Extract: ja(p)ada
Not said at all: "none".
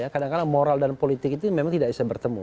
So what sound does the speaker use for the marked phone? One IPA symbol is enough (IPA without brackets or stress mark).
k